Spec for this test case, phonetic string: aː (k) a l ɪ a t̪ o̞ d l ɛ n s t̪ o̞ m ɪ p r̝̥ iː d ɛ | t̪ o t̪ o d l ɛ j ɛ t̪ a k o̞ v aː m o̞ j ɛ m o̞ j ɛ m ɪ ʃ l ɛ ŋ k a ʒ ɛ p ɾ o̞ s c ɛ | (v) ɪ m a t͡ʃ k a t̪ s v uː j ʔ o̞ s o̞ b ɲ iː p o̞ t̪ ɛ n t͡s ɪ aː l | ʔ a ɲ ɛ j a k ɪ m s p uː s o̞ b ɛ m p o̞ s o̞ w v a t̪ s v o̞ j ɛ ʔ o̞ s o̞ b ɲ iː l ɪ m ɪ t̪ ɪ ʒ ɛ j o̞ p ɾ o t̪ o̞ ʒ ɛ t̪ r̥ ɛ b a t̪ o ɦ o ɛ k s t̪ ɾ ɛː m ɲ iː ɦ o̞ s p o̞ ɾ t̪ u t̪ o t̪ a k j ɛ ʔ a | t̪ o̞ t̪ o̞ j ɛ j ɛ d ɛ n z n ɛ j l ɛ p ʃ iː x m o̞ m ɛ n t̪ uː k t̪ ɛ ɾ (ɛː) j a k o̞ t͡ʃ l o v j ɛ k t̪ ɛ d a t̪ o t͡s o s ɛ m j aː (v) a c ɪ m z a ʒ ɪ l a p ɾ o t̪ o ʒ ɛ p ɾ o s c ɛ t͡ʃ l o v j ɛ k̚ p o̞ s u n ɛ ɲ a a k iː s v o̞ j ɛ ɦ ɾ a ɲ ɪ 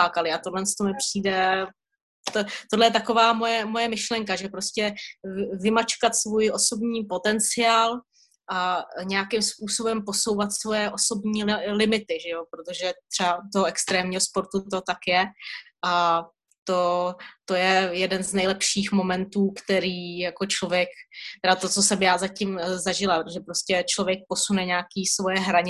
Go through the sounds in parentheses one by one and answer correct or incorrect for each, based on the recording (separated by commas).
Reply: correct, correct, incorrect, incorrect